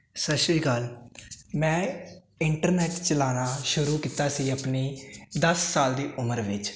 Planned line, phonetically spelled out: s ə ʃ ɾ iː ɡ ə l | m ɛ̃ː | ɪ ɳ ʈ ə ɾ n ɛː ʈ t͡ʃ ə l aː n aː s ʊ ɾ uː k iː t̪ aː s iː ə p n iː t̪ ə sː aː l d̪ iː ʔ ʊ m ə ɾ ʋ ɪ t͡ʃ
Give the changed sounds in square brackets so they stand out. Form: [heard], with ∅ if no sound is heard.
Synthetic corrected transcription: s ə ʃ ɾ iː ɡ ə l | m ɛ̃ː | ɪ ɳ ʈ ə ɾ n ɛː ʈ t͡ʃ ə l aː n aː [ʃ] ʊ ɾ uː k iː t̪ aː s iː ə p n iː [d̪] ə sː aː l d̪ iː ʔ ʊ m ə ɾ ʋ ɪ t͡ʃ